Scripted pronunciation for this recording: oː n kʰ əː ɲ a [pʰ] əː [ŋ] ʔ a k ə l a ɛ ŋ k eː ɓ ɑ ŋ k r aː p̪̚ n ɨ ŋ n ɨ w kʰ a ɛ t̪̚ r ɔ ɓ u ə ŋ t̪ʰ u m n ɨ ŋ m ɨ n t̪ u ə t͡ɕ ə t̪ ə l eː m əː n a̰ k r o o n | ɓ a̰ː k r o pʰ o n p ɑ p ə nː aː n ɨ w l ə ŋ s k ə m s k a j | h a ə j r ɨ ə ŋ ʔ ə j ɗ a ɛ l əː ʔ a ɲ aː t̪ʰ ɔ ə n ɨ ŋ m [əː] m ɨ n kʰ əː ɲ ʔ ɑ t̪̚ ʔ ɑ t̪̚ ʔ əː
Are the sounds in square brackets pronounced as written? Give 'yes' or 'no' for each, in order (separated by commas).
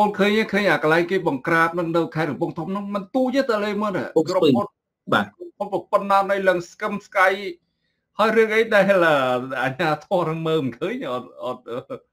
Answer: no, no, yes